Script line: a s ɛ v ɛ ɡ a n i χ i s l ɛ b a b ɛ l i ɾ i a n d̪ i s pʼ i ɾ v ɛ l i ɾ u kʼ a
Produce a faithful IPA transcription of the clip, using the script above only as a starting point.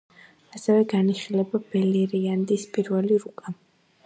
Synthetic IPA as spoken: a s ɛ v ɛ ɡ a n i χ i l ɛ b a b ɛ l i ɾ i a n d̪ i s pʼ i ɾ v ɛ l i ɾ u kʼ a